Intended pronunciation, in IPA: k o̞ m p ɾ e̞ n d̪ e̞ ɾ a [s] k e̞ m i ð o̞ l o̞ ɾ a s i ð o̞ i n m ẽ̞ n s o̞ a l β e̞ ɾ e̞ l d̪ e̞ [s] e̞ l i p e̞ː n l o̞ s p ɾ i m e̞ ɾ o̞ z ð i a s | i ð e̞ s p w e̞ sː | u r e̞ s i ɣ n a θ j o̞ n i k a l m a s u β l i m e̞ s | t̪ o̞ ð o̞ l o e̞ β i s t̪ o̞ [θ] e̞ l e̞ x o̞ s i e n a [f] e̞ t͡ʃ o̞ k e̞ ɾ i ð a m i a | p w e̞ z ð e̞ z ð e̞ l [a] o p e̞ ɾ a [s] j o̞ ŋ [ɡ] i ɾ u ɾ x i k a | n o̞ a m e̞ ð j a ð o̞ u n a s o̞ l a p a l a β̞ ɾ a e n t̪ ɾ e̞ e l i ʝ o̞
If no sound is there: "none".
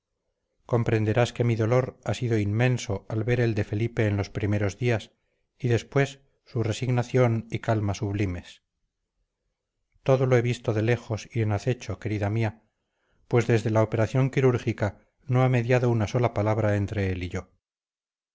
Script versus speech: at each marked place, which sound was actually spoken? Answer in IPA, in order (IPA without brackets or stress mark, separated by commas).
s, f, ð, θ, a, θ, k